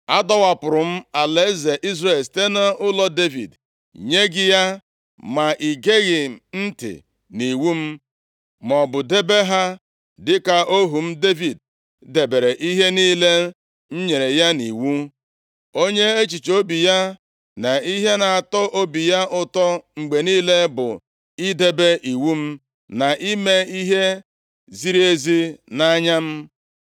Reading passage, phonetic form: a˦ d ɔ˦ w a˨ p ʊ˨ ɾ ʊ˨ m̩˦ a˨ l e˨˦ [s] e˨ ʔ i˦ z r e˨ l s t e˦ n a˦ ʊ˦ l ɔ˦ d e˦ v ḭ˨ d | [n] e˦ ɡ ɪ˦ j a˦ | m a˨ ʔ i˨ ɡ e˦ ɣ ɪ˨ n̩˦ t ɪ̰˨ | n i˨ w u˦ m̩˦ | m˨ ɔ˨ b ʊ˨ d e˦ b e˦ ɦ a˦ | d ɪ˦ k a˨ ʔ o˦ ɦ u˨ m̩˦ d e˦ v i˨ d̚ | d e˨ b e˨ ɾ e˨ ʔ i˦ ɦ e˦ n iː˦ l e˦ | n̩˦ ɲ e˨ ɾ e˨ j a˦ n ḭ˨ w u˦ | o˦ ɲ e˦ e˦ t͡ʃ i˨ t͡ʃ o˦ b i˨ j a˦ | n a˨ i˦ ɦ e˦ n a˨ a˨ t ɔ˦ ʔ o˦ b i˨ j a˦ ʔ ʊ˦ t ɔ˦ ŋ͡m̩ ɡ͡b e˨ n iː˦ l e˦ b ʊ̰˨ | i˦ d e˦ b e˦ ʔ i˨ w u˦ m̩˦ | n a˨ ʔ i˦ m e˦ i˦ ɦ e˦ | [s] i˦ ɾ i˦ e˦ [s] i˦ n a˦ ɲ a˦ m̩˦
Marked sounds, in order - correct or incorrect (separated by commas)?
incorrect, incorrect, incorrect, incorrect